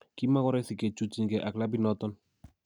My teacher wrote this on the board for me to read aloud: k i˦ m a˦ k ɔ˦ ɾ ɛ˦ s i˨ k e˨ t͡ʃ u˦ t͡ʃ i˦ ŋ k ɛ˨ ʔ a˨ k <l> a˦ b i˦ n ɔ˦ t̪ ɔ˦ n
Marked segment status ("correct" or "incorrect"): correct